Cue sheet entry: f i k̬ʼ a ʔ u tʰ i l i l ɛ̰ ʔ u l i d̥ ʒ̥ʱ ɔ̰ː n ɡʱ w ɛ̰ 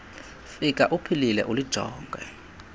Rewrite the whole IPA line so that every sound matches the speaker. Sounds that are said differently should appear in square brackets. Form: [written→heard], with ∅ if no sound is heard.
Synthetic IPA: f i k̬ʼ a ʔ u [tʰ→pʰ] i l i l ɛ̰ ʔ u l i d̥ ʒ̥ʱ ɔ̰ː [n→ŋ] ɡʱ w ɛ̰

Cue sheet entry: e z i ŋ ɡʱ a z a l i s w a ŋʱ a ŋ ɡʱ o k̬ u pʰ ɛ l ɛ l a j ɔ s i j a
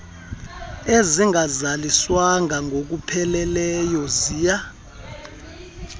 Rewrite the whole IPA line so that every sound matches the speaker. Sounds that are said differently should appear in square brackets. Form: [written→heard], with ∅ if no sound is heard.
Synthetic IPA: e z i ŋ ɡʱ a z a l i s w a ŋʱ a ŋ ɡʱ o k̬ u pʰ ɛ l ɛ l [a→ɛ] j ɔ [s→z] i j a

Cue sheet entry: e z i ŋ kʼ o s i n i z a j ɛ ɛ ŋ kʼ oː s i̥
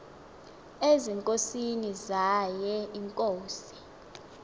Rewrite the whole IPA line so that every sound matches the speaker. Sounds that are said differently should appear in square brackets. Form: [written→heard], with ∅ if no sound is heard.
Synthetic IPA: e z i ŋ kʼ o s i n i z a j ɛ [ɛ→i] ŋ kʼ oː s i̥

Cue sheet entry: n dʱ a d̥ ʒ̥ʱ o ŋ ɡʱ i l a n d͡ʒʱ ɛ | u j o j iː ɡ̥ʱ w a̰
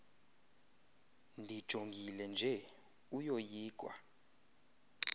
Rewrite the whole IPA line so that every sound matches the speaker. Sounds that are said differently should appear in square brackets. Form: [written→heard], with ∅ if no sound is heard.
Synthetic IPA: n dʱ [a→i] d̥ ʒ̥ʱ o ŋ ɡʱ i l [a→ɛ] n d͡ʒʱ ɛ | u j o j iː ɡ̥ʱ w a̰

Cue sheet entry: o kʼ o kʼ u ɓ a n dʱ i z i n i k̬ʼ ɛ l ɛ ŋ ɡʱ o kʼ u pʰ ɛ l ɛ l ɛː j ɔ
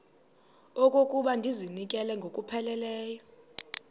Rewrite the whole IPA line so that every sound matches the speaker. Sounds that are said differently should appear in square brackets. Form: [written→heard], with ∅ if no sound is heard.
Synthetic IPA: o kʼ o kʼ u ɓ a n dʱ i z i n i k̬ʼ ɛ l ɛ ŋ ɡʱ o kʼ u pʰ ɛ l ɛ l ɛː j ɔ

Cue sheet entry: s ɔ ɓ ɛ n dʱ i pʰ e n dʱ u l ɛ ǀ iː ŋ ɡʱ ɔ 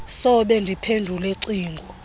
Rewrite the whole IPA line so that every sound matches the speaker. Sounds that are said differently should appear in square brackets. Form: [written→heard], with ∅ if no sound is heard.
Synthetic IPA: s ɔ ɓ ɛ n dʱ i pʰ e n dʱ u l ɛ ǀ iː ŋ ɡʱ ɔ

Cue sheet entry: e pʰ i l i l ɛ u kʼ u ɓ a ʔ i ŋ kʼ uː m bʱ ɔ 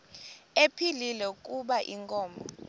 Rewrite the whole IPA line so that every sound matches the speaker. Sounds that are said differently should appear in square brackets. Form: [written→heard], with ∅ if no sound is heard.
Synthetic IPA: e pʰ i l i l ɛ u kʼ u ɓ a ʔ i ŋ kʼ [uː→ɔː] m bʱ ɔ

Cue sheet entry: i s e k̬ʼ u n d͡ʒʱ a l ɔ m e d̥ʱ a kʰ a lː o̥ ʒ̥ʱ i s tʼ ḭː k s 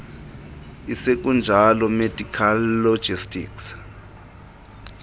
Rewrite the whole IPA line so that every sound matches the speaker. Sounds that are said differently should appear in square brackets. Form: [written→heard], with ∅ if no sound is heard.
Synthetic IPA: i s e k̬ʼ u n d͡ʒʱ a l ɔ m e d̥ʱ [a→i] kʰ a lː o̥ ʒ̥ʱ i s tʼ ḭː k s

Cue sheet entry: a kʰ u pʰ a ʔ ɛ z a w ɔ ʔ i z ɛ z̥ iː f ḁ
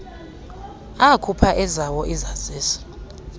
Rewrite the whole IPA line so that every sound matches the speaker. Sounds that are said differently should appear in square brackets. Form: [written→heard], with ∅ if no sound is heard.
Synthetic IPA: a kʰ u pʰ a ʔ ɛ z a w ɔ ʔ i z [ɛ→a] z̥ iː [f→s] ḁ

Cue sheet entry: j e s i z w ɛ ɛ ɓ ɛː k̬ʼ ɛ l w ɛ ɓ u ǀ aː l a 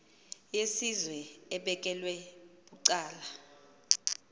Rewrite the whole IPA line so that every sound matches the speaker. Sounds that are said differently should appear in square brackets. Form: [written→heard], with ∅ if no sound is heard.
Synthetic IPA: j e s i z w ɛ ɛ ɓ [ɛː→ɛ] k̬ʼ ɛ l w ɛ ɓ u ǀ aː l a

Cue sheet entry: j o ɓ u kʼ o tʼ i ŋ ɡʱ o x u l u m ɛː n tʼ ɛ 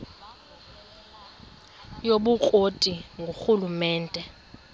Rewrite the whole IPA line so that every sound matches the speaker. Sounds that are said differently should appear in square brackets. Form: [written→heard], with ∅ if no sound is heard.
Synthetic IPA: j o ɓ u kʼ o tʼ i ŋ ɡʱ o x u l u m ɛː n tʼ ɛ

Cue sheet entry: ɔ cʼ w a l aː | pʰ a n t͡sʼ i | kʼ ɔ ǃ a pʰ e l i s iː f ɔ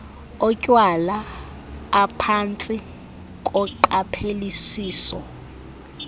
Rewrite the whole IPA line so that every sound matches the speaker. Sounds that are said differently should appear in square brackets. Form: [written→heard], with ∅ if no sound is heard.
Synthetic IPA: ɔ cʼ w a l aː | pʰ a n t͡sʼ i | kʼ ɔ ǃ a pʰ e l i s iː [f→s] ɔ

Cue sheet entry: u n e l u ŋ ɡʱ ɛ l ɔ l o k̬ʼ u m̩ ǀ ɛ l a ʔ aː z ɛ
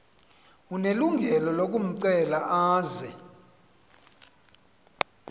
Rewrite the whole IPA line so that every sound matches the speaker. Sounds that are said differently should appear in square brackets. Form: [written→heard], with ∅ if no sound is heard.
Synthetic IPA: u n e l u ŋ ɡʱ ɛ l ɔ l o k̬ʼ u m̩ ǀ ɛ l a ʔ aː z ɛ

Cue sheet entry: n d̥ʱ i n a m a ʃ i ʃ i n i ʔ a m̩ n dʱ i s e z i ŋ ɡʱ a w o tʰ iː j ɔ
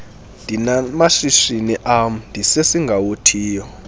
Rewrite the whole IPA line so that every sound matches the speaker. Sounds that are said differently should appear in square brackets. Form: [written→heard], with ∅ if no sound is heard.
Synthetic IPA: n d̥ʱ i n a m a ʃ i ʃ i n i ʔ a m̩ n dʱ i s e [z→s] i ŋ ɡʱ a w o tʰ iː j ɔ

